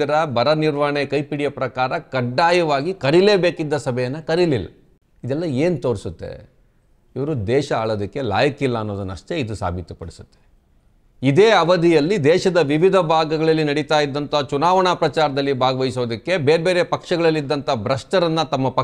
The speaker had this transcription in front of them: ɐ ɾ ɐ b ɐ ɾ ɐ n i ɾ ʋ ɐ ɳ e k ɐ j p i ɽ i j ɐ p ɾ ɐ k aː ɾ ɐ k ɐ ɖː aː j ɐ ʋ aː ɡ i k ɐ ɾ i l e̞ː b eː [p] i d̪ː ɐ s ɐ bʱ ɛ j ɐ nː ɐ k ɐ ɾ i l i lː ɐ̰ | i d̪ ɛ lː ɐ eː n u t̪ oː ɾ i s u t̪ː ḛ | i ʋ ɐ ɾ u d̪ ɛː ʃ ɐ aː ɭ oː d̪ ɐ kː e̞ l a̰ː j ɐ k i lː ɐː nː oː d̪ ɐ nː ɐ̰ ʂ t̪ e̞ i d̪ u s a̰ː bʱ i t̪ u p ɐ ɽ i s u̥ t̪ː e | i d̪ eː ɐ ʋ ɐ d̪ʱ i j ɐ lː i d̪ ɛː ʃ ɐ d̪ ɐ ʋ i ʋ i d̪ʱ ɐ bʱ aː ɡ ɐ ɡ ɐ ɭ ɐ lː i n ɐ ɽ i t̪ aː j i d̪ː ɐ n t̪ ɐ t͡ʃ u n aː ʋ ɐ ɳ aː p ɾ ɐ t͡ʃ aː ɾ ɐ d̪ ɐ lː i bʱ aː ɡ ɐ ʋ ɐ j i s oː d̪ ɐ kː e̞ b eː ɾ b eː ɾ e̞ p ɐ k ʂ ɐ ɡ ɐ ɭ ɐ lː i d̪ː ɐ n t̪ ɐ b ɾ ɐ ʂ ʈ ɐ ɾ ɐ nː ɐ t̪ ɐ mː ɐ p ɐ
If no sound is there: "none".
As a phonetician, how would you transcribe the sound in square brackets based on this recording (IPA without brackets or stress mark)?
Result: k